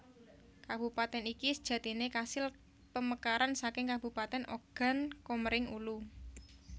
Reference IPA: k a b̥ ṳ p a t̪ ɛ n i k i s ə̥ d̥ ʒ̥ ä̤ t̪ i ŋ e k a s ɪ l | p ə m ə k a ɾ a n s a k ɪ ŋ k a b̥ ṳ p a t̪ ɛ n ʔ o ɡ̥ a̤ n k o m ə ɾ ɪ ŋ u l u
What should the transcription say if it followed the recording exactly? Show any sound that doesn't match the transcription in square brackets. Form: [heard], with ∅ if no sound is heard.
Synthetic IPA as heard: k a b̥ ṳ p a t̪ ɛ n i k i s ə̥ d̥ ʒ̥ ä̤ t̪ i [n] e k a s ɪ l | p ə m ə k a ɾ a n s a k ɪ ŋ k a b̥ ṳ p a t̪ ɛ n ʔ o ɡ̥ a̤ n k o m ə ɾ ɪ ŋ u l u